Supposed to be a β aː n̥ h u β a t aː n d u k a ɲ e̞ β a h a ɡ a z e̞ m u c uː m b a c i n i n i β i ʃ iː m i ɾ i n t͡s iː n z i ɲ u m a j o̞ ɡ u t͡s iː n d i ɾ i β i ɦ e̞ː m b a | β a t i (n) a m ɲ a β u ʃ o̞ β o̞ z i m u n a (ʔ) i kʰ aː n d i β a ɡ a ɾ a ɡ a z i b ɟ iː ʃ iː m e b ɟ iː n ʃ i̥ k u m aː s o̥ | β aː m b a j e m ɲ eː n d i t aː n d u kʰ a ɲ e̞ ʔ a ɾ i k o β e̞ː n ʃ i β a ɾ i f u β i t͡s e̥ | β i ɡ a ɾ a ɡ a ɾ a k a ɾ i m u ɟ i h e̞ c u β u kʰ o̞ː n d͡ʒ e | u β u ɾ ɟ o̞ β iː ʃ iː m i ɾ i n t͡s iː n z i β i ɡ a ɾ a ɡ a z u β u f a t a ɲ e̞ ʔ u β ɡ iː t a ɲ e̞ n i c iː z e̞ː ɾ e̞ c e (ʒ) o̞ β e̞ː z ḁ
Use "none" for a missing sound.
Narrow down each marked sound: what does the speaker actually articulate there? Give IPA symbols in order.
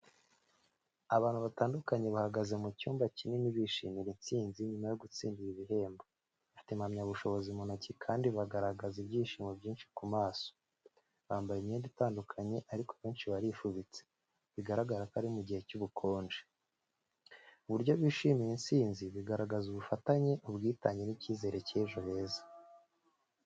m, c, ʒ

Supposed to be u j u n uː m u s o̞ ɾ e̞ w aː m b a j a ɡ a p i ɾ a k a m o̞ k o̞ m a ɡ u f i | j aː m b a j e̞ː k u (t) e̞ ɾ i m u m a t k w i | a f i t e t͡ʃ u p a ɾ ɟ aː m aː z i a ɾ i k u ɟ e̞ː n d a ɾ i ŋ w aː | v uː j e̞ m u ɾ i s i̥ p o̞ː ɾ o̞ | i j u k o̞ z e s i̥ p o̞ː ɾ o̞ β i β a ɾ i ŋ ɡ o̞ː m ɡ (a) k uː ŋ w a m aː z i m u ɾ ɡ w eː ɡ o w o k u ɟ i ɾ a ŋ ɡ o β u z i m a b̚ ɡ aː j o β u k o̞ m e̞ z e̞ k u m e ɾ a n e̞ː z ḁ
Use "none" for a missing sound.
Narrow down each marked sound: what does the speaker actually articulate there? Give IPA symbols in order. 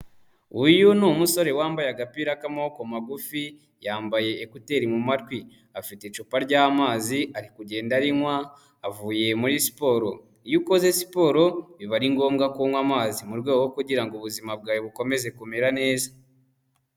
t, a

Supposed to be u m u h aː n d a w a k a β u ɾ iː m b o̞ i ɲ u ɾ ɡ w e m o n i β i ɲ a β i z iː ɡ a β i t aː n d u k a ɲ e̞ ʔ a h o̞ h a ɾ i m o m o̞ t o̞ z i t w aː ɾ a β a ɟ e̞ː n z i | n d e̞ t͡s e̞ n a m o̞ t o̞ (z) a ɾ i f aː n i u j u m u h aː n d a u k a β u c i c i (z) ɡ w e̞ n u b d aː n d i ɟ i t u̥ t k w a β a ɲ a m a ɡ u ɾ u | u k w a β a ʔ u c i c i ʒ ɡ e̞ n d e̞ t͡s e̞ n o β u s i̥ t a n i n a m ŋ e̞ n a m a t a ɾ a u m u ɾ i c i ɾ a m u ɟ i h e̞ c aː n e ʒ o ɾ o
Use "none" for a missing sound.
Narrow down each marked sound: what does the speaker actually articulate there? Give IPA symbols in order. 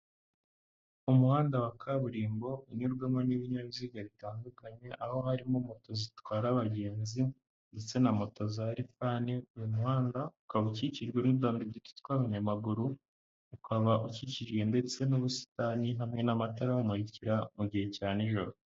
z, ʒ

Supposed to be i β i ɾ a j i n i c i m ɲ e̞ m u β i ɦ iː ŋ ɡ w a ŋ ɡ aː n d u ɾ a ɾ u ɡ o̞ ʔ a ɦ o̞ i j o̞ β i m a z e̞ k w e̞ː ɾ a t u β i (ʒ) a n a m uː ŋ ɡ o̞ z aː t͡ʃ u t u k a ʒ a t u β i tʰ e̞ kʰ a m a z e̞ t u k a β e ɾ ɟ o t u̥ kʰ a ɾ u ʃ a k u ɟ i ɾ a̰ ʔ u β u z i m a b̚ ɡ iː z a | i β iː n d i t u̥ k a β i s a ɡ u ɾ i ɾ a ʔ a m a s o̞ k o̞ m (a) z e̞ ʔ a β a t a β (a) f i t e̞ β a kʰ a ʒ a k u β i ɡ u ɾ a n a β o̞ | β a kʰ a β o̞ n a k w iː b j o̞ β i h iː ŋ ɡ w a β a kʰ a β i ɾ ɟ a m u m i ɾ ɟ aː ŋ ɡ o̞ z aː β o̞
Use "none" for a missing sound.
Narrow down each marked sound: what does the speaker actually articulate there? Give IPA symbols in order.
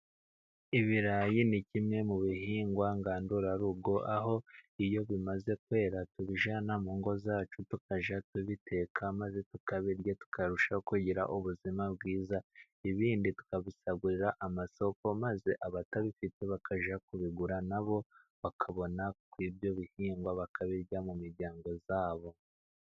ʒ, a, i

